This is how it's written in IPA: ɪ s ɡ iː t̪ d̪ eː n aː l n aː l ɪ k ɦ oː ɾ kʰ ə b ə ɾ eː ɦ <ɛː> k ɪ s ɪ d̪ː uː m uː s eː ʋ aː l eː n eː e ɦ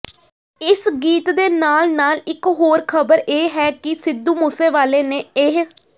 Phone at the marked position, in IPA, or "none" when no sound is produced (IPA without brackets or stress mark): ɛː